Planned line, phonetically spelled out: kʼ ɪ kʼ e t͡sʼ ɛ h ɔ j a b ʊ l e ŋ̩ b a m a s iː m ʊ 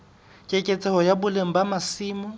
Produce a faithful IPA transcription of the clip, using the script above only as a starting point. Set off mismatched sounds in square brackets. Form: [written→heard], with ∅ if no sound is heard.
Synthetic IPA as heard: kʼ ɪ kʼ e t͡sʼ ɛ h ɔ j a b ʊ l e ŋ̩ b a m a s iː m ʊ